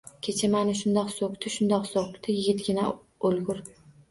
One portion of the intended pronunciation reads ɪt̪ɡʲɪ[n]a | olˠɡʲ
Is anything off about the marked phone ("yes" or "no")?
no